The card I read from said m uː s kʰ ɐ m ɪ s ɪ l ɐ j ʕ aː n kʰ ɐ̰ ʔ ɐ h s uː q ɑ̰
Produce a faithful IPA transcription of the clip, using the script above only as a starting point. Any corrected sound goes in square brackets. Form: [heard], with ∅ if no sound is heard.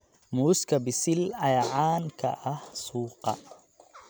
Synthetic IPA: m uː s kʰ ɐ [b] ɪ s ɪ l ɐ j ʕ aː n kʰ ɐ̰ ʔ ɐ h s uː q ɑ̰